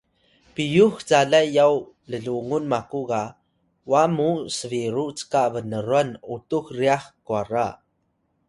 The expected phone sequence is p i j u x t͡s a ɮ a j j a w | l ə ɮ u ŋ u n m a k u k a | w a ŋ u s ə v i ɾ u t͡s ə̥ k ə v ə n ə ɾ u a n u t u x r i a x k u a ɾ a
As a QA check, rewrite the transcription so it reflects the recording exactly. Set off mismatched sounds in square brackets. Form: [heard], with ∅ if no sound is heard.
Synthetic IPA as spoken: p i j u x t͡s a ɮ a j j a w | l ə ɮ u ŋ u n m a k u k a | w a [m] u s ə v i ɾ u t͡s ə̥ k [a] v ə n ə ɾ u a n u t u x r i a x k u a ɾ a